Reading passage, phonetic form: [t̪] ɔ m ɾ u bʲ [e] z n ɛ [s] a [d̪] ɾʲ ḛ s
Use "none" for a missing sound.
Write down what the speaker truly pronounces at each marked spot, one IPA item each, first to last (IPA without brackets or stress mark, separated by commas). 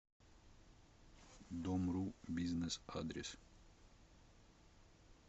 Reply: d̪, i, s, d̪